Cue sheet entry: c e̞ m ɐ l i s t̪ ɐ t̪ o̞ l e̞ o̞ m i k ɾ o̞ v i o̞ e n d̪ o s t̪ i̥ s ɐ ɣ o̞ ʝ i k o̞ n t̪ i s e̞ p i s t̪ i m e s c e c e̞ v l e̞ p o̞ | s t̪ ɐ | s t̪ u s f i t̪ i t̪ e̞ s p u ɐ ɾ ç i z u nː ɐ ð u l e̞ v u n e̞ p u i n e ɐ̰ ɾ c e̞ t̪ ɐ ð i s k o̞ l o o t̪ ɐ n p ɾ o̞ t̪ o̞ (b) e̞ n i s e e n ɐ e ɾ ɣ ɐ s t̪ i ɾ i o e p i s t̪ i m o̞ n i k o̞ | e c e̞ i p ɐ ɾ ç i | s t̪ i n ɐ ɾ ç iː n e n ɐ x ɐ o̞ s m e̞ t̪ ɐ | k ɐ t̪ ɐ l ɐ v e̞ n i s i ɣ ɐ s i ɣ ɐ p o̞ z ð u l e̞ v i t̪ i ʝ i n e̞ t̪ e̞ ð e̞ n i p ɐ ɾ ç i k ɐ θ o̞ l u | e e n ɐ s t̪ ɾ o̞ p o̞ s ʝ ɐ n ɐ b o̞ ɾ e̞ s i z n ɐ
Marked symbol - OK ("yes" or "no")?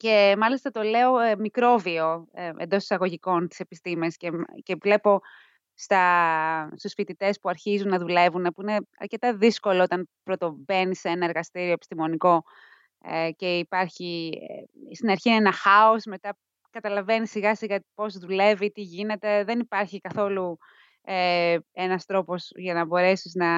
yes